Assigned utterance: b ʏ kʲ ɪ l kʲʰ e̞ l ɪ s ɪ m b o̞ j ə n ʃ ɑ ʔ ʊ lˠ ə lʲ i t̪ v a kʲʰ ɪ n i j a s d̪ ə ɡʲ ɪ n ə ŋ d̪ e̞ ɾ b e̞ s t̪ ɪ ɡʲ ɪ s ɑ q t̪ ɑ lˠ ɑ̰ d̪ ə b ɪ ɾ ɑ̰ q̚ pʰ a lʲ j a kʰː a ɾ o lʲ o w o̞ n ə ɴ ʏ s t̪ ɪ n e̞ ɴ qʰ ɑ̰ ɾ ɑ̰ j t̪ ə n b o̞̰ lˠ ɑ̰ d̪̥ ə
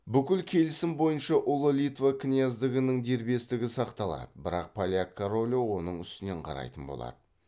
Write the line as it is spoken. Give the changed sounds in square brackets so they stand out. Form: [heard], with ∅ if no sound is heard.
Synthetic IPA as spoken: b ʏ kʲ ɪ l kʲʰ e̞ l ɪ s ɪ m b o̞ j ə n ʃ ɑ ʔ ʊ lˠ ə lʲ i t̪ v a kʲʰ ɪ n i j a [z] d̪ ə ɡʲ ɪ n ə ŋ d̪ e̞ ɾ b e̞ s t̪ ɪ ɡʲ ɪ s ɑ q t̪ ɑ lˠ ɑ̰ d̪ ə b ɪ ɾ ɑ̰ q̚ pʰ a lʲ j a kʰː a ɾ o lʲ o w o̞ n ə ɴ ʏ s t̪ ɪ n e̞ ɴ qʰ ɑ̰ ɾ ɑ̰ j t̪ ə n b o̞̰ lˠ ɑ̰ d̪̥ ə

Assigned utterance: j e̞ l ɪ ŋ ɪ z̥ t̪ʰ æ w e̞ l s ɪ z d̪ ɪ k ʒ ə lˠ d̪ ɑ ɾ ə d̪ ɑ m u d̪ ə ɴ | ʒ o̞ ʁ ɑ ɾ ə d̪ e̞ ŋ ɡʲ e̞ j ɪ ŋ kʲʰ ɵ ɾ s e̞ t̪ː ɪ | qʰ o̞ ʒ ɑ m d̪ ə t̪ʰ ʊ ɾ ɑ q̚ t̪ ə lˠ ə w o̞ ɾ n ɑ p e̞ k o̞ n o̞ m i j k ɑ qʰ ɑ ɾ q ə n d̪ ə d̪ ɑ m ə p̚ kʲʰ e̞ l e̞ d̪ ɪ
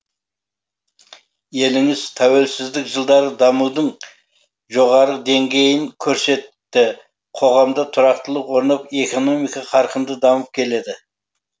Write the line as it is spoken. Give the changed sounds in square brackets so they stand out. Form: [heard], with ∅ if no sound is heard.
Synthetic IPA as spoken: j e̞ l ɪ ŋ ɪ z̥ t̪ʰ æ w e̞ l s ɪ z d̪ ɪ k ʒ ə lˠ d̪ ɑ ɾ ə d̪ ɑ m u d̪ ə ɴ | ʒ o̞ ʁ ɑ ɾ ə d̪ e̞ ŋ ɡʲ e̞ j ɪ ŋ kʲʰ ɵ ɾ s e̞ t̪ː ɪ | qʰ o̞ [ʁ] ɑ m d̪ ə t̪ʰ ʊ ɾ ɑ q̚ t̪ ə lˠ ə w o̞ ɾ n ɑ p e̞ k o̞ n o̞ m i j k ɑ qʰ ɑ ɾ q ə n d̪ ə d̪ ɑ m ə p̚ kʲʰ e̞ l e̞ d̪ ɪ

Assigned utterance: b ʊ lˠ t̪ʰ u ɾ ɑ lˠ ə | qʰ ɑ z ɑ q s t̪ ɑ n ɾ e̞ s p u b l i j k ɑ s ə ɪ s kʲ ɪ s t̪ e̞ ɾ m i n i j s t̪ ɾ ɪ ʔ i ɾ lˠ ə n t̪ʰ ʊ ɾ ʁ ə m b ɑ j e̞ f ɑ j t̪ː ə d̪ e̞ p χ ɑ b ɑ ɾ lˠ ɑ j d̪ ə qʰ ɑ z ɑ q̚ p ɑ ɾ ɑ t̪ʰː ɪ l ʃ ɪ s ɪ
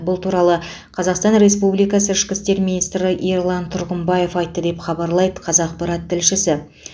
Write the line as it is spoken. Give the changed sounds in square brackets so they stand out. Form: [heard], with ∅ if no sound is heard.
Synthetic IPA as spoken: b ʊ lˠ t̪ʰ u ɾ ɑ lˠ ə | qʰ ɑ z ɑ q s t̪ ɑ n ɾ e̞ s p u b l i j k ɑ s ə ɪ [ʃ] kʲ ɪ s t̪ e̞ ɾ m i n i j s t̪ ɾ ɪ ʔ i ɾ lˠ [ɑ] n t̪ʰ ʊ ɾ ʁ ə m b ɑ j e̞ f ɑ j t̪ː ə d̪ e̞ p χ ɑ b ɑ ɾ lˠ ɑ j d̪ ə qʰ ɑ z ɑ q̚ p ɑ ɾ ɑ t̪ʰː ɪ l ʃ ɪ s ɪ

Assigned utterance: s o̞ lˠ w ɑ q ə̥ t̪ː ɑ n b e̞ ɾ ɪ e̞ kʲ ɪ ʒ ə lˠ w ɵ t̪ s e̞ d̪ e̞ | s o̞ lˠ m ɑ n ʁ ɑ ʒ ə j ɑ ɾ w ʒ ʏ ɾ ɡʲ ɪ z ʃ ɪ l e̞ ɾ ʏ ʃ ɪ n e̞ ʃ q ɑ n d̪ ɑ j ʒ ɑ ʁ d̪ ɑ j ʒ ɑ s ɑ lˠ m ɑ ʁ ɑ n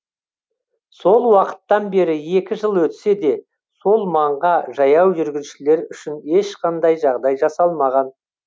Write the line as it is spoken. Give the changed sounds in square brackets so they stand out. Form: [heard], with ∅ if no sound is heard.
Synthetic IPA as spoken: s o̞ lˠ w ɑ q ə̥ t̪ː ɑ n b e̞ ɾ ɪ e̞ kʲ ɪ ʒ ə lˠ w ɵ t̪ s e̞ d̪ e̞ | s o̞ lˠ m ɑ [ɴ] ʁ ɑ ʒ [ɑ] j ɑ [∅] w ʒ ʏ ɾ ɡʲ ɪ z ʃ ɪ l e̞ ɾ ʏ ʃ ɪ n e̞ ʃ q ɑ n d̪ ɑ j ʒ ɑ ʁ d̪ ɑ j ʒ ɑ s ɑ lˠ m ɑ ʁ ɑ n

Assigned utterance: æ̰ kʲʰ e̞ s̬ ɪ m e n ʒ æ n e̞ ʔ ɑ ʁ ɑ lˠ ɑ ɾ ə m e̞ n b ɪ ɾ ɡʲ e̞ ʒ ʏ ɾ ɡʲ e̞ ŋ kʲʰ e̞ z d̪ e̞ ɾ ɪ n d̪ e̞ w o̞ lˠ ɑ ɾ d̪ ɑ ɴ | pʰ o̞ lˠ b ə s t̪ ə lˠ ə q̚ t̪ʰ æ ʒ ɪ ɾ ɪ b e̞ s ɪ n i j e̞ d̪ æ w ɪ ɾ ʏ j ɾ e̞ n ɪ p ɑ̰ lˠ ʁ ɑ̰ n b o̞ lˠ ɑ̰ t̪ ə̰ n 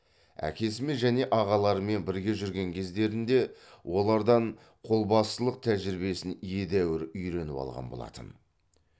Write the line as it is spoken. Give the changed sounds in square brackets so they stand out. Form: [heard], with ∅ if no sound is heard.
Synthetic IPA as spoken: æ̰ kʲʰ e̞ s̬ ɪ m e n ʒ æ n e̞ ʔ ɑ ʁ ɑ lˠ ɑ ɾ ə m e̞ n b ɪ ɾ ɡʲ e̞ ʒ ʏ ɾ ɡʲ e̞ ŋ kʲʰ e̞ z d̪ e̞ ɾ ɪ n d̪ e̞ w o̞ lˠ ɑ ɾ d̪ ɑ ɴ | [qʰ] o̞ lˠ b [ɑ] s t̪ ə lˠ ə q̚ t̪ʰ æ ʒ ɪ ɾ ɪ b e̞ s ɪ n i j e̞ d̪ æ w ɪ ɾ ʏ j ɾ e̞ n ɪ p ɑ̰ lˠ ʁ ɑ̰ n b o̞ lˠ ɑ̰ t̪ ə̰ n

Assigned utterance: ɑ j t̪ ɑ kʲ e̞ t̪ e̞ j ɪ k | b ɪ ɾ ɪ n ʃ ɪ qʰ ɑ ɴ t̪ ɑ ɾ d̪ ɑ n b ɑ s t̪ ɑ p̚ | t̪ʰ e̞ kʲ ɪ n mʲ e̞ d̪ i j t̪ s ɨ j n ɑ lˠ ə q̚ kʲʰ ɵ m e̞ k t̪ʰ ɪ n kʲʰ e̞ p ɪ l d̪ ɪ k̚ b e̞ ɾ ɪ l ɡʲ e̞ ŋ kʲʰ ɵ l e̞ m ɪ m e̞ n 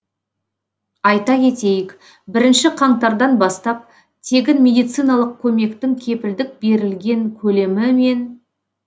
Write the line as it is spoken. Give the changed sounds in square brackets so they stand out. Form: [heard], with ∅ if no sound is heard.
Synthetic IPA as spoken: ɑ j t̪ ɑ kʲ e̞ t̪ e̞ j ɪ k | b ɪ ɾ ɪ n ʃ ɪ qʰ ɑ ɴ t̪ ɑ ɾ d̪ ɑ n b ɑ s t̪ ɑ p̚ | t̪ʰ e̞ [ɡʲ] ɪ n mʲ e̞ d̪ i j t̪ s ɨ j n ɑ lˠ ə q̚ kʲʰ ɵ m e̞ k [t̪] ɪ [ŋ] kʲʰ e̞ p ɪ l d̪ ɪ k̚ b e̞ ɾ ɪ l ɡʲ e̞ ŋ kʲʰ ɵ l e̞ m ɪ m e̞ n

